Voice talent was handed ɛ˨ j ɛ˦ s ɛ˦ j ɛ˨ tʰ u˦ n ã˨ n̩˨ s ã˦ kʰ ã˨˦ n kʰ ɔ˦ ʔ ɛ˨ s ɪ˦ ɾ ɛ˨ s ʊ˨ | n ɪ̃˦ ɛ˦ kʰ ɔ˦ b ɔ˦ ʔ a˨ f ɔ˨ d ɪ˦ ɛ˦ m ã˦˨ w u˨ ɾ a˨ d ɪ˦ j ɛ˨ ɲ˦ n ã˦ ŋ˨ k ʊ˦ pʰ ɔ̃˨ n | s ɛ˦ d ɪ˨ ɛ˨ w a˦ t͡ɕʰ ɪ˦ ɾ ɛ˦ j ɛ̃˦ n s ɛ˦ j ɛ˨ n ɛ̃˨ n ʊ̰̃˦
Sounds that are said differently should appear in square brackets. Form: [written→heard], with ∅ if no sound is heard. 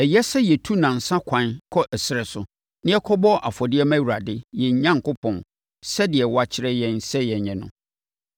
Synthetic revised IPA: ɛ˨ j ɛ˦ s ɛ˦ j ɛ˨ tʰ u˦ n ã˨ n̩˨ s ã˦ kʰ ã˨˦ n kʰ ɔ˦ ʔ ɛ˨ s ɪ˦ ɾ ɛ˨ s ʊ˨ | n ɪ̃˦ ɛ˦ kʰ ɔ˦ b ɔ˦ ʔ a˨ f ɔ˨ d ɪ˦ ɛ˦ m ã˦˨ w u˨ ɾ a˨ d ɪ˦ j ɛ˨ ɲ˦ [n→ɲ] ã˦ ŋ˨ k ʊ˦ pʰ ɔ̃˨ n | s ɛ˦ d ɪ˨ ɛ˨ w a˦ t͡ɕʰ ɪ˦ ɾ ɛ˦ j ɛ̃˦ n s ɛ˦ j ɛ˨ [n→ɲ] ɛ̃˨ n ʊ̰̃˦